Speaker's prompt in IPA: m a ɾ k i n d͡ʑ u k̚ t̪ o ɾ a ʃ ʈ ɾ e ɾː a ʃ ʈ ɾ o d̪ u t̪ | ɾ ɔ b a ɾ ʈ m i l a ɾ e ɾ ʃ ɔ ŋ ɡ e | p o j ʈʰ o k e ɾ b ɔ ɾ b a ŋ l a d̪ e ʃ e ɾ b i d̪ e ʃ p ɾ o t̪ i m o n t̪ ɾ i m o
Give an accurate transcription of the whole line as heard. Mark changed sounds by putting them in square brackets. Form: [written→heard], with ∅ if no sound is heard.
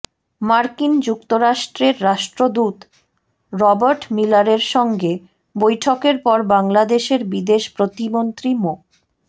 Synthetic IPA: m a ɾ k i n d͡ʑ u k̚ t̪ o ɾ a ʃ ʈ ɾ e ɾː a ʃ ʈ ɾ o d̪ u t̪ | ɾ ɔ b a ɾ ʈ m i l a ɾ e ɾ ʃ ɔ ŋ ɡ e | [p→b] o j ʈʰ o k e ɾ [b→p] ɔ ɾ b a ŋ l a d̪ e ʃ e ɾ b i d̪ e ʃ p ɾ o t̪ i m o n t̪ ɾ i m o

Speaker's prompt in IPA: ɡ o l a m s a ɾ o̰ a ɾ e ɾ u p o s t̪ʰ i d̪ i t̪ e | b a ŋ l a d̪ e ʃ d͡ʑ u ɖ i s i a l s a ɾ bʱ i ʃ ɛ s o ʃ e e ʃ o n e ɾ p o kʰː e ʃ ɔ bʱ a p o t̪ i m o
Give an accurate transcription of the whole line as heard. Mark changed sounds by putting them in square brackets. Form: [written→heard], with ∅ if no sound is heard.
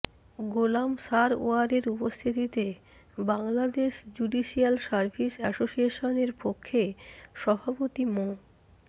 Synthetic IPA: ɡ o l a m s a ɾ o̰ a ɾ e ɾ u p o s t̪ʰ i [d̪→t̪] i t̪ e | b a ŋ l a d̪ e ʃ d͡ʑ u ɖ i [s→ʃ] i a l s a ɾ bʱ i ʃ ɛ s o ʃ [e→i] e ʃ o n e ɾ p o kʰː e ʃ ɔ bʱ a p o t̪ i m o

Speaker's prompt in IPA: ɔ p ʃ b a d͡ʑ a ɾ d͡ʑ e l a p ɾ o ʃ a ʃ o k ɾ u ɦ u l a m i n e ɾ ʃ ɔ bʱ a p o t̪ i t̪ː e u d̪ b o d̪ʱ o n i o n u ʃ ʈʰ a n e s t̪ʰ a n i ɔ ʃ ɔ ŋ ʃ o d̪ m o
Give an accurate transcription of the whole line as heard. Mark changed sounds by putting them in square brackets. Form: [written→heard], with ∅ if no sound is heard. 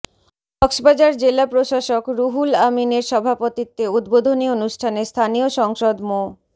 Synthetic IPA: ɔ [p→k] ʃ b a d͡ʑ a ɾ d͡ʑ e l a p ɾ o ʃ a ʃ o k ɾ u ɦ u l a m i n e ɾ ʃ ɔ bʱ a p o t̪ i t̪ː e u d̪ b o d̪ʱ o n i o n u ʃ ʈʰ a n e s t̪ʰ a n i [ɔ→o] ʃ ɔ ŋ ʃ o d̪ m o

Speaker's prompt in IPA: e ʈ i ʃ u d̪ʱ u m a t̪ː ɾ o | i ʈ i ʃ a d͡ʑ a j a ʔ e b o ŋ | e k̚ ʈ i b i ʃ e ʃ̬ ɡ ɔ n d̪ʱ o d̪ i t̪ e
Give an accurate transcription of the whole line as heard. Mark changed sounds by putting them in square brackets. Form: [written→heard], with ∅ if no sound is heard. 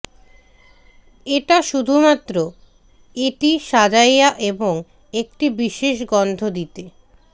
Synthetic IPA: e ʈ [i→a] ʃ u d̪ʱ u m a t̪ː ɾ o | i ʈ i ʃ a d͡ʑ a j a ʔ e b o ŋ | e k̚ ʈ i b i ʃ e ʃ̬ ɡ ɔ n d̪ʱ o d̪ i t̪ e

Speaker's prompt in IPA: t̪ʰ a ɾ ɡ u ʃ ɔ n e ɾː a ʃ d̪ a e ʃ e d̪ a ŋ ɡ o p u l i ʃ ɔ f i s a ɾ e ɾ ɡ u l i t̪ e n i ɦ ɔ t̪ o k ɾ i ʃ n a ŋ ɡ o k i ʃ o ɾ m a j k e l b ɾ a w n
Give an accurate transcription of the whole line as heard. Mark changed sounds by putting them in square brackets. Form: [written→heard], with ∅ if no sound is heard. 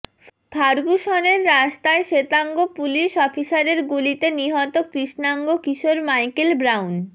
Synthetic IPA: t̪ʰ a ɾ ɡ u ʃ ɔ n e ɾː a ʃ [d̪→t̪] a e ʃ e [d̪→t̪] a ŋ ɡ o p u l i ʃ ɔ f i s a ɾ e ɾ ɡ u l i t̪ e n i ɦ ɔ t̪ o k ɾ i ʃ n a ŋ ɡ o k i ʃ o ɾ m a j k e l b ɾ a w n

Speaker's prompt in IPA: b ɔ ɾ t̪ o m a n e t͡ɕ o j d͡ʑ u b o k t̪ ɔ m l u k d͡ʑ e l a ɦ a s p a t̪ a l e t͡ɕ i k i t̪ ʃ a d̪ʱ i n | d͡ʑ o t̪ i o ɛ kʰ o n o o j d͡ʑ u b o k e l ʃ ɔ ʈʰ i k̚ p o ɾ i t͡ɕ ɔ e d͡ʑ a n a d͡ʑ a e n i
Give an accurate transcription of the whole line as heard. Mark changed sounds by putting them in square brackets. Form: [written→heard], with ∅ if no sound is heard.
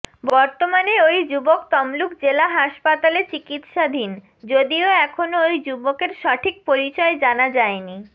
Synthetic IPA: b ɔ ɾ t̪ o m a n e [t͡ɕ→∅] o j d͡ʑ u b o k t̪ ɔ m l u k d͡ʑ e l a ɦ a [s→ʃ] p a t̪ a l e t͡ɕ i k i t̪ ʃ a d̪ʱ i n | d͡ʑ o [t̪→d̪] i o ɛ kʰ o n o o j d͡ʑ u b o k e [l→ɾ] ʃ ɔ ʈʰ i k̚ p o ɾ i t͡ɕ ɔ e d͡ʑ a n a d͡ʑ a e n i

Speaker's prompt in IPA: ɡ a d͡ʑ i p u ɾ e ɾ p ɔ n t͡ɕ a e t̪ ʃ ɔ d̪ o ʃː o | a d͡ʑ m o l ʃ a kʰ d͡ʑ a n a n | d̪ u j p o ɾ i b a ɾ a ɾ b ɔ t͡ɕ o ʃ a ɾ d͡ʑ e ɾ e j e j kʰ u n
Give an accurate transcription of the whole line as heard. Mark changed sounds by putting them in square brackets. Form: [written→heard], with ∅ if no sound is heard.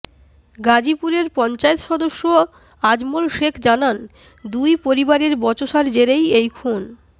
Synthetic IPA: ɡ a d͡ʑ i p u ɾ e ɾ p ɔ n t͡ɕ a e t̪ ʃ ɔ d̪ o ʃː o | a d͡ʑ m o l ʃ [a→e] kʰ d͡ʑ a n a n | d̪ u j p o ɾ i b a ɾ [a→e] ɾ b ɔ t͡ɕ o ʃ a ɾ d͡ʑ e ɾ e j e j kʰ u n

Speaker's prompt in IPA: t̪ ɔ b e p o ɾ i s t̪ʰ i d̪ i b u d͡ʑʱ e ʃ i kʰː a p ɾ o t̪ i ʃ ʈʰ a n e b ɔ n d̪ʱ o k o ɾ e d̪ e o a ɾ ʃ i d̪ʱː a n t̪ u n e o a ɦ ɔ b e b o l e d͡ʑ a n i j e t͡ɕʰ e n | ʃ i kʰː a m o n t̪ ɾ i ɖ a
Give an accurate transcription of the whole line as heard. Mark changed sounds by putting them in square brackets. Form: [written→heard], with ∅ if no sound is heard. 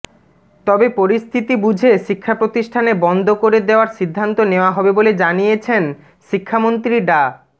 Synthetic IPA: t̪ ɔ b e p o ɾ i s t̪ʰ i [d̪→t̪] i b u d͡ʑʱ e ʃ i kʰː a p ɾ o t̪ i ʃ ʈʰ a n e b ɔ n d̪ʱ o k o ɾ e d̪ e o a ɾ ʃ i d̪ʱː a n t̪ [u→o] n e o a ɦ ɔ b e b o l e d͡ʑ a n i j e t͡ɕʰ e n | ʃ i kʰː a m o n t̪ ɾ i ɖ a

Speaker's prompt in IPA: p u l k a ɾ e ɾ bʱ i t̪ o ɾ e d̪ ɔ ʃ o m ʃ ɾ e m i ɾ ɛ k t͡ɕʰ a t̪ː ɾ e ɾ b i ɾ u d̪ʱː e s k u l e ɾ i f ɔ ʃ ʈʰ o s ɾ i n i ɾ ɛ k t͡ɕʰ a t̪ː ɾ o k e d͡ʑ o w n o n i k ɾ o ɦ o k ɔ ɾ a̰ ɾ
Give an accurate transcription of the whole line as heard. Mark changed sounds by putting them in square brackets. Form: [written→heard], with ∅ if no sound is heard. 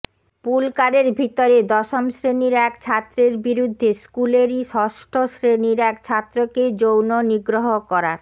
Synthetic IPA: p u l k a ɾ e ɾ bʱ i t̪ o ɾ e d̪ ɔ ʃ o m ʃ ɾ e [m→n] i ɾ ɛ k t͡ɕʰ a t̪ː ɾ e ɾ b i ɾ u d̪ʱː e s k u l e ɾ i [f→ʃ] ɔ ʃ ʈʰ o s ɾ [i→e] n i ɾ ɛ k t͡ɕʰ a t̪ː ɾ o k e d͡ʑ o w n o n i [k→ɡ] ɾ o ɦ o k ɔ ɾ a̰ ɾ

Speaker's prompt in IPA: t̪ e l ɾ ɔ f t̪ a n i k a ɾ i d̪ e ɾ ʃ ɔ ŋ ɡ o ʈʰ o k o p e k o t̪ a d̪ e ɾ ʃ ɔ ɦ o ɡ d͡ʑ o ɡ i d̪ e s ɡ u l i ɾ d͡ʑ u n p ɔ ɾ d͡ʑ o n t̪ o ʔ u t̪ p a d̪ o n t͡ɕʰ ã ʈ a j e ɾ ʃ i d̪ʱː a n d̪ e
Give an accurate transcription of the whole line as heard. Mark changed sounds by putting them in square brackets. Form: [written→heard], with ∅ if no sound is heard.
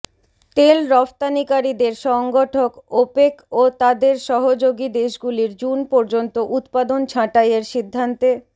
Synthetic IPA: t̪ e l ɾ ɔ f t̪ a n i k a ɾ i d̪ e ɾ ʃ ɔ ŋ ɡ o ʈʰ o k o p e k o t̪ a d̪ e ɾ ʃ ɔ ɦ o [ɡ→∅] d͡ʑ o ɡ i d̪ e [s→ʃ] ɡ u l i ɾ d͡ʑ u n p ɔ ɾ d͡ʑ o n t̪ o ʔ u t̪ p a d̪ o n t͡ɕʰ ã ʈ a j e ɾ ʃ i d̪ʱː a n [d̪→t̪] e

